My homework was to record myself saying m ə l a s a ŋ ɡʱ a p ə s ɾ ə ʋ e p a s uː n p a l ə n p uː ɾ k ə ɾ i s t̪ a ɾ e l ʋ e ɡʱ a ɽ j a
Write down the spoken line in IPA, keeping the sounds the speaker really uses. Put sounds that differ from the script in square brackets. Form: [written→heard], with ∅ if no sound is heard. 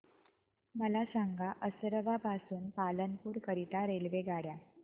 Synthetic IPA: m ə l a s a ŋ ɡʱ a [p→ʔ] ə s ɾ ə ʋ [e→a] p a s uː n p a l ə n p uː ɾ k ə ɾ i [s→∅] t̪ a ɾ e l ʋ e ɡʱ a ɽ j a